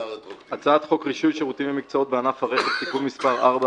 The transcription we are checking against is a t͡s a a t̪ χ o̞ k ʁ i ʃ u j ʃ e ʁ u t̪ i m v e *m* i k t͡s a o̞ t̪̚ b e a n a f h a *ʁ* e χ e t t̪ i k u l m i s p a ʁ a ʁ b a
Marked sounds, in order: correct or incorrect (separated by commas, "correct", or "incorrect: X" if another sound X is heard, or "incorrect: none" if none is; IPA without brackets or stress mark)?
correct, correct